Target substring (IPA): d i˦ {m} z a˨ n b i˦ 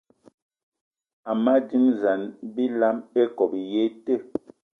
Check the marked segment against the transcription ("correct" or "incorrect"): correct